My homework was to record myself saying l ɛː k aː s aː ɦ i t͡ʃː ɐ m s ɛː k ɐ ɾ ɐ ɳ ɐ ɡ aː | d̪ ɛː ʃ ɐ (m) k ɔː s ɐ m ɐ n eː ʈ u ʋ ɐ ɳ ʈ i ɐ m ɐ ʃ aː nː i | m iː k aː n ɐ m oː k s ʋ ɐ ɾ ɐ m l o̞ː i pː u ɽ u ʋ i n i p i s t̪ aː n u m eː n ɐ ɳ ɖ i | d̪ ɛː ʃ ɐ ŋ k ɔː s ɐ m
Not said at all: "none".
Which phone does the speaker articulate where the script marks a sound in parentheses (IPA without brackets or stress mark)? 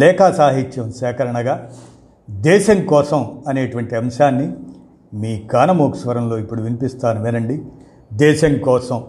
ŋ